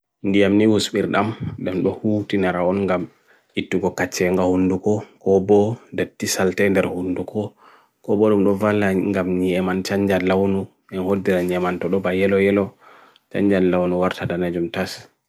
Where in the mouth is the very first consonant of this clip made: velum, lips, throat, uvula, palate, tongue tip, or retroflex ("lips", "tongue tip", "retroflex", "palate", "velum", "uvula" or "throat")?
tongue tip